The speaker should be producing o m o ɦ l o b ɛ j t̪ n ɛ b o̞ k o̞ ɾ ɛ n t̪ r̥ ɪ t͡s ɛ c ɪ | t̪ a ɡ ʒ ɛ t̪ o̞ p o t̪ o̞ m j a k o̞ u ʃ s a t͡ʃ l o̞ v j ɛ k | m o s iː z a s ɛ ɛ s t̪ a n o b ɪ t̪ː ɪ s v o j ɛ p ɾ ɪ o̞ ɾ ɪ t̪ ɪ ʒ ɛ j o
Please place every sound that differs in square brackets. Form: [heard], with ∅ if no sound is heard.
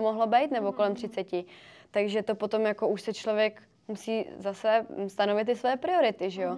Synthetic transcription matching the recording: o m o ɦ l o b ɛ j t̪ n ɛ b o̞ k o̞ [l] ɛ [m] t̪ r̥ ɪ t͡s ɛ c ɪ | t̪ a ɡ ʒ ɛ t̪ o̞ p o t̪ o̞ m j a k o̞ u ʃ s [ɛ] t͡ʃ l o̞ v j ɛ k | m [u] s iː z a s ɛ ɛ s t̪ a n o [v] ɪ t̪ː ɪ s v o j ɛ p ɾ ɪ o̞ ɾ ɪ t̪ ɪ ʒ ɛ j o